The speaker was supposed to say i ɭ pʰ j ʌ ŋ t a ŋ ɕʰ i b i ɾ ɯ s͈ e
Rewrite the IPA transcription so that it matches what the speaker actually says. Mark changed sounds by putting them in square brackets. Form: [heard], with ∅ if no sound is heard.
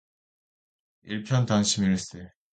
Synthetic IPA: i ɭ pʰ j ʌ [n] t a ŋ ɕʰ i [m] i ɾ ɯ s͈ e